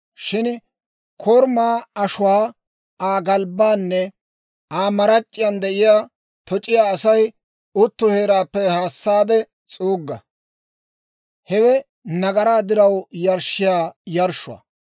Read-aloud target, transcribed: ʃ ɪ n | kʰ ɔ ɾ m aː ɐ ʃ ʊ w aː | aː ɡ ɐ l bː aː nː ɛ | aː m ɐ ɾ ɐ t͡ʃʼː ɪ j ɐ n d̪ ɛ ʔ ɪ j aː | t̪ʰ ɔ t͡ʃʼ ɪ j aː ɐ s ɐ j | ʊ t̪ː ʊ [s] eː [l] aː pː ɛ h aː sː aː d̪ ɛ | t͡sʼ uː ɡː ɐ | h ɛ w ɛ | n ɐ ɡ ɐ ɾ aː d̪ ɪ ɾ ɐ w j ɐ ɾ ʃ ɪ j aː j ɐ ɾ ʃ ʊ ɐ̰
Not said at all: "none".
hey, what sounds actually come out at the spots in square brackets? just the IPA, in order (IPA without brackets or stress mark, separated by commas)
h, ɾ